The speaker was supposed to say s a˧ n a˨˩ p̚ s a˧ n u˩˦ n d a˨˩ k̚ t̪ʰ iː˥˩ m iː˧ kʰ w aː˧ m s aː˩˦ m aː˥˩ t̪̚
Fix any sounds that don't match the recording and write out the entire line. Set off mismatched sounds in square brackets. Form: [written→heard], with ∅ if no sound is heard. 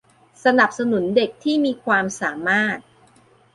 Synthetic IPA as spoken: s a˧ n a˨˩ p̚ s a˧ n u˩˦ n d [a˨˩→e˨˩] k̚ t̪ʰ iː˥˩ m iː˧ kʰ w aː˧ m s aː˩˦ m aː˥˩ t̪̚